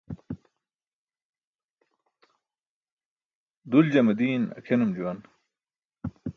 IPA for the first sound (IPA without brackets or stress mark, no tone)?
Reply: d̪